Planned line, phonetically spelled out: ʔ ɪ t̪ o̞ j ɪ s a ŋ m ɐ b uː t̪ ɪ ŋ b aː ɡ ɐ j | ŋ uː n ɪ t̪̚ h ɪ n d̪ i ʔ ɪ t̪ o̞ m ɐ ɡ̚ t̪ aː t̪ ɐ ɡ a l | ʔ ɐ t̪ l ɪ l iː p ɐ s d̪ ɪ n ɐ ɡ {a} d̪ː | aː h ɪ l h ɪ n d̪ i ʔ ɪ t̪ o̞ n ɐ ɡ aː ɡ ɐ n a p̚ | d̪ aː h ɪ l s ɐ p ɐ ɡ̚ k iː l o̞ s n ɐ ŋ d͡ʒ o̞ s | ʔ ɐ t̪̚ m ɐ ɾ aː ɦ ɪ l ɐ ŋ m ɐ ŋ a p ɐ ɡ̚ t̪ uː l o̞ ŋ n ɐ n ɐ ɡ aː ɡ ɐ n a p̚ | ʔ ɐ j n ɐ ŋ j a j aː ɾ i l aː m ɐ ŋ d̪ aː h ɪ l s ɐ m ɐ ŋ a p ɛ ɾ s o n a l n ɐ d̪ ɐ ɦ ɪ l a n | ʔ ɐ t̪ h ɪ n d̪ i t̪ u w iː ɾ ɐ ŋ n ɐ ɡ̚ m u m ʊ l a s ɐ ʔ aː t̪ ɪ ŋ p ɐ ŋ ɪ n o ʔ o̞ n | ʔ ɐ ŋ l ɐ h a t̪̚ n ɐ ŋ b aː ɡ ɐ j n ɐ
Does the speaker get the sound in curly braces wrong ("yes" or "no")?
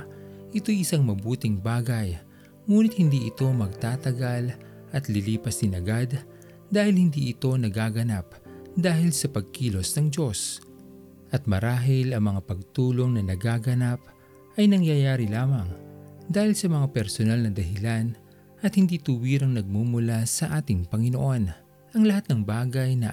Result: no